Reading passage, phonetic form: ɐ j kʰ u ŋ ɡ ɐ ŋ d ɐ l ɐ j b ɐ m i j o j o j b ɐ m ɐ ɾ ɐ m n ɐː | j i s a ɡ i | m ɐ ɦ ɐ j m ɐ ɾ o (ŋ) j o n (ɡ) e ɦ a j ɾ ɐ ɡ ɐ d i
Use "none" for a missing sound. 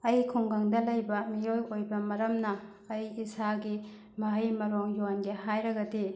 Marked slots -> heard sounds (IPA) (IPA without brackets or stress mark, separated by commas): ŋ, ɡ